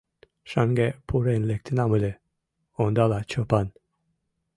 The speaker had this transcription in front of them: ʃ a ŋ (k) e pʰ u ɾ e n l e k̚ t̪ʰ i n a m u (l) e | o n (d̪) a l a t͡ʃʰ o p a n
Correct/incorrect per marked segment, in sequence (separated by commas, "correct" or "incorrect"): incorrect, correct, correct